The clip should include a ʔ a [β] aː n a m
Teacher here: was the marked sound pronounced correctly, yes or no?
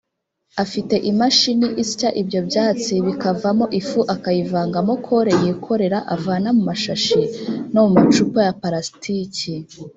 no